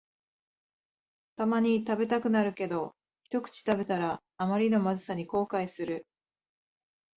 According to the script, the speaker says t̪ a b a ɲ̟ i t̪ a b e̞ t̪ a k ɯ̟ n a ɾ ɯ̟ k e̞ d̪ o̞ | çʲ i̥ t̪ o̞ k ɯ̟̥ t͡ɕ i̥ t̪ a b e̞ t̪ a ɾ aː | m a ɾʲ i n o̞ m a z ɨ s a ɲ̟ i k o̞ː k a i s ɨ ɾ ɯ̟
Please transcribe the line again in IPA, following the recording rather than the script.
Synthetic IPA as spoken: t̪ a m a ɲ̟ i t̪ a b e̞ t̪ a k ɯ̟ n a ɾ ɯ̟ k e̞ d̪ o̞ | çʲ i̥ t̪ o̞ k ɯ̟̥ t͡ɕ i̥ t̪ a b e̞ t̪ a ɾ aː | m a ɾʲ i n o̞ m a z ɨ s a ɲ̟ i k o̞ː k a i s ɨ ɾ ɯ̟